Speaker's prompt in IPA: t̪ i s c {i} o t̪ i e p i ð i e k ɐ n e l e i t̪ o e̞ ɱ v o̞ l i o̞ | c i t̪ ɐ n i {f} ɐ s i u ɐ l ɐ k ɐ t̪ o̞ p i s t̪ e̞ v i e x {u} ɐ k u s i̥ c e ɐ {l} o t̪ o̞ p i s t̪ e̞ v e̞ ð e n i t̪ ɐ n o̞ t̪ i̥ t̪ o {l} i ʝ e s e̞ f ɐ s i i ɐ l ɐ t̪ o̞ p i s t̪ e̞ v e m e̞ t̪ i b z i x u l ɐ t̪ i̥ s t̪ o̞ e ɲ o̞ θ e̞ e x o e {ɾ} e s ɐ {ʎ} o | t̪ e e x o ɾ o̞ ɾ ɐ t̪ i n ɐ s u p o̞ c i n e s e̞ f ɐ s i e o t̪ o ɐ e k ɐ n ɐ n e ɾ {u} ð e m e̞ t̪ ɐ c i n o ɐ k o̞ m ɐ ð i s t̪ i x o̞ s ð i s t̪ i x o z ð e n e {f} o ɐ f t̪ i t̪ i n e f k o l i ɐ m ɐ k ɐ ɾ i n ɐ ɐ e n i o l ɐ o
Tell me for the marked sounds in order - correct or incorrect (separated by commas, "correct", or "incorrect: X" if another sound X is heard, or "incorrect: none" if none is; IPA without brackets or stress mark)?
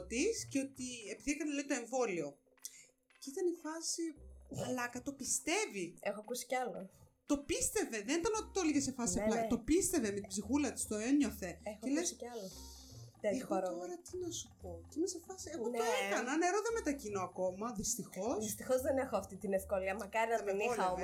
incorrect: e, correct, incorrect: o, correct, correct, incorrect: l, incorrect: l, incorrect: o, incorrect: x